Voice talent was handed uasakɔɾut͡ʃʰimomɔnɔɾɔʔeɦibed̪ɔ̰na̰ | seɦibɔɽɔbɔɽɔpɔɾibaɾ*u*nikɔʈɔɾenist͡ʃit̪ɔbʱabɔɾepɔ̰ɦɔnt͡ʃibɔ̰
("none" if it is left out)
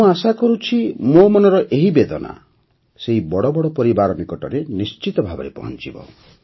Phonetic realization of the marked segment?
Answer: ɔ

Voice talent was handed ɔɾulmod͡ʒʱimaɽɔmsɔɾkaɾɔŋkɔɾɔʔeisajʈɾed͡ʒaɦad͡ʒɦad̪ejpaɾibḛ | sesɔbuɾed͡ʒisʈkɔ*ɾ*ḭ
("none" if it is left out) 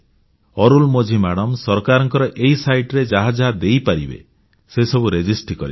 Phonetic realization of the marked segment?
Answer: ɾ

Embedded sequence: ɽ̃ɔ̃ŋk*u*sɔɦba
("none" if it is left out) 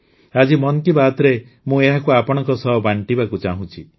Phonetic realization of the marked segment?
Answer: ɔ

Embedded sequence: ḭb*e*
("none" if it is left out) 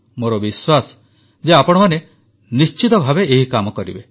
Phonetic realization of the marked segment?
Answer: e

